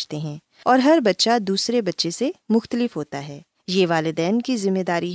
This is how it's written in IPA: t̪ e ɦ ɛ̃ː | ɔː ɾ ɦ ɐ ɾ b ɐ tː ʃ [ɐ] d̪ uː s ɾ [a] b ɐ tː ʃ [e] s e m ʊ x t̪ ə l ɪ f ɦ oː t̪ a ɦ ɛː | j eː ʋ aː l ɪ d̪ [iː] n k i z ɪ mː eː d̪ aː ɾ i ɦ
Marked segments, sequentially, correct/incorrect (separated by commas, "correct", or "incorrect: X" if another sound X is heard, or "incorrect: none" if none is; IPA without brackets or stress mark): incorrect: a, incorrect: e, correct, incorrect: ɛː